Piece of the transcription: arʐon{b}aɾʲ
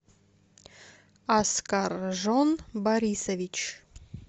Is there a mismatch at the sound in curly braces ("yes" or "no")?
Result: no